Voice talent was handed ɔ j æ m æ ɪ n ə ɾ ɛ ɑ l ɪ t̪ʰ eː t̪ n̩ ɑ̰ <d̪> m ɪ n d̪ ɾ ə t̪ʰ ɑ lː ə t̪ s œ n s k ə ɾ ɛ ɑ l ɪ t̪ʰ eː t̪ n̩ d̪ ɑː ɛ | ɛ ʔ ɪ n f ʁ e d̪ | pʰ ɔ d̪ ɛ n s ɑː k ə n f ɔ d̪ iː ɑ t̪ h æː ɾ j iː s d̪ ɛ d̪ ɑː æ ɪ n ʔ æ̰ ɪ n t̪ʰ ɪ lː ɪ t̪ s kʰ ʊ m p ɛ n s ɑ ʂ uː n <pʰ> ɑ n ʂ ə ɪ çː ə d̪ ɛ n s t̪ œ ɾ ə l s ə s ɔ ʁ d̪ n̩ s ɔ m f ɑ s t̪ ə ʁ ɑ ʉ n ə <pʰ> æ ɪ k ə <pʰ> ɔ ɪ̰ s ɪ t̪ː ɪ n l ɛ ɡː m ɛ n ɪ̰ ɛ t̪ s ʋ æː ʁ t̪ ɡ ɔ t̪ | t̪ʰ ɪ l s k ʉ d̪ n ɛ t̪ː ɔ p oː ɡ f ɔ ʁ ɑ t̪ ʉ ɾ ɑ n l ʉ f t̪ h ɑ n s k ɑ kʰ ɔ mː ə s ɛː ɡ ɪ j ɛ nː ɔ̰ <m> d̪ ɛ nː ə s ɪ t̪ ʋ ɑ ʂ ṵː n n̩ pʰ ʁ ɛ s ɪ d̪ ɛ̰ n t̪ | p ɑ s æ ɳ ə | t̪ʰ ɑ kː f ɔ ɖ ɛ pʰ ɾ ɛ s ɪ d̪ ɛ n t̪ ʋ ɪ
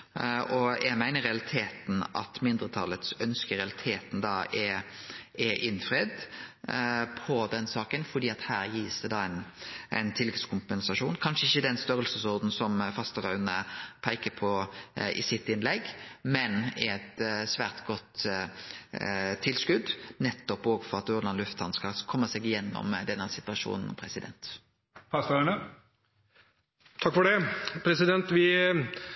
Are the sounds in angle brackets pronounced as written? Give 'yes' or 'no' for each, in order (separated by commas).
no, no, yes, yes, yes